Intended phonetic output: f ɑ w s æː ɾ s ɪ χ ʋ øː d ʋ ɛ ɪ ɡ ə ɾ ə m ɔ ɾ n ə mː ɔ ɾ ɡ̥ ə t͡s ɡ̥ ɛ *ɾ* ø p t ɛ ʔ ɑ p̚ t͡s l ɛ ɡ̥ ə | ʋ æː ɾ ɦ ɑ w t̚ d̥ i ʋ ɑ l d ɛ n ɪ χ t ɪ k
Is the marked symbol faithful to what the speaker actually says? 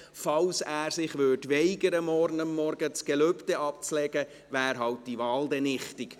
no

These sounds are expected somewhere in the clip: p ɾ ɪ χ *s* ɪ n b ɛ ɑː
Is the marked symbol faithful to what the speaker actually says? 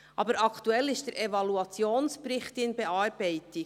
no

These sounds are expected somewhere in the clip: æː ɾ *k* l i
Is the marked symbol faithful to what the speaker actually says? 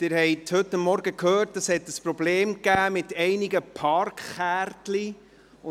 no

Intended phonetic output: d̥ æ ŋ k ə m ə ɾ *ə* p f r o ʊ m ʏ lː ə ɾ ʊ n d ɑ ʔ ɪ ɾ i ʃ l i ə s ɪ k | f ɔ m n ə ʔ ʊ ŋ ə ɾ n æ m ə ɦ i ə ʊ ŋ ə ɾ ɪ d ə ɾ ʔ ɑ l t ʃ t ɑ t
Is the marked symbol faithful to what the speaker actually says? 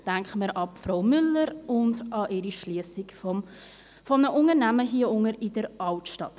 no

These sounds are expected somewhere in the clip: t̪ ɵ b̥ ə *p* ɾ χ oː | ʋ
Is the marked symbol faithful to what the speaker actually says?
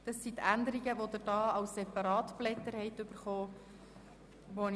no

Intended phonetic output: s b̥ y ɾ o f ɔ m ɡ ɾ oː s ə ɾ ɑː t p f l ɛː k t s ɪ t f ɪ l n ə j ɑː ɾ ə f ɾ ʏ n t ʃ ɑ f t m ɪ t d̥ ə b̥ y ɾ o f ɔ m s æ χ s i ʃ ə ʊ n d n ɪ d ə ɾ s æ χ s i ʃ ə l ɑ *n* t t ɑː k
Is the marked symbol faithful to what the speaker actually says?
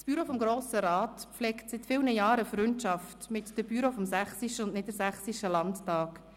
yes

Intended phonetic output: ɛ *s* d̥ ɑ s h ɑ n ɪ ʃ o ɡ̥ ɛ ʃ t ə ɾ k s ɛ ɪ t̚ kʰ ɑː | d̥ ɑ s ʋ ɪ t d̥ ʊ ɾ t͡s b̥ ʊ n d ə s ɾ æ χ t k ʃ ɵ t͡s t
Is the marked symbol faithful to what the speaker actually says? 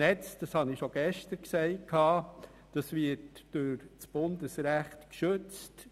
no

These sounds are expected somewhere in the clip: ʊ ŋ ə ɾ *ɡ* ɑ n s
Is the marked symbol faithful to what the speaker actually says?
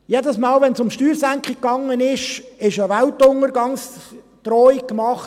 yes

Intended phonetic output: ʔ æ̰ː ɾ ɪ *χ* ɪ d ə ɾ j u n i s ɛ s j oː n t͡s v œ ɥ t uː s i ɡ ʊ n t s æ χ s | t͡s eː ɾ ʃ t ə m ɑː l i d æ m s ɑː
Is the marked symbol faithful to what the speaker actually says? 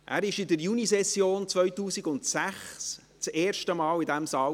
no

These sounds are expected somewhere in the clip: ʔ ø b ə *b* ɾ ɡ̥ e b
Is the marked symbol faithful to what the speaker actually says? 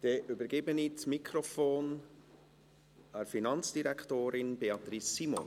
no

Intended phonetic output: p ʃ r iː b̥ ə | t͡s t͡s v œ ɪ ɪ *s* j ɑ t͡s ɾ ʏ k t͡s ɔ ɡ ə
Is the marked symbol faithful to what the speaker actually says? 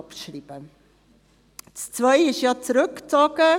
no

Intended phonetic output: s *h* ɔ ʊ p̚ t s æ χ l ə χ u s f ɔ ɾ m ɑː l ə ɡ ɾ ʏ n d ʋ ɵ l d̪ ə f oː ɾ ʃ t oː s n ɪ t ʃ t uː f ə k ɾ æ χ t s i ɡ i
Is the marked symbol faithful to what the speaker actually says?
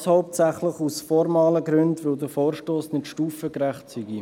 yes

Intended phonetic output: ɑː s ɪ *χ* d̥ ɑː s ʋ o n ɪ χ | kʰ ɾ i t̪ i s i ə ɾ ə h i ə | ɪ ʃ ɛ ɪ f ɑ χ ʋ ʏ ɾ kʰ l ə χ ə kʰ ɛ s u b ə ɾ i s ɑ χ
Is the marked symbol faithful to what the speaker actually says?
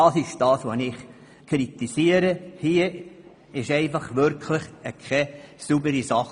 no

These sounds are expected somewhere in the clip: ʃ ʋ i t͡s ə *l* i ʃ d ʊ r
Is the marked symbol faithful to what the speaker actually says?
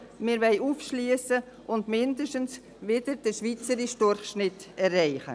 no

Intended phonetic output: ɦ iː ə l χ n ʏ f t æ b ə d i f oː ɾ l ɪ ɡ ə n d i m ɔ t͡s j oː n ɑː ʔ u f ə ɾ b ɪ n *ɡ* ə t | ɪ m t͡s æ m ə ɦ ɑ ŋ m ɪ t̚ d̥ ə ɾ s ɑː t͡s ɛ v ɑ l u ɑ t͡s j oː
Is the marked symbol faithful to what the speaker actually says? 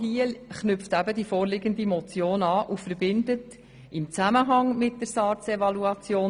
no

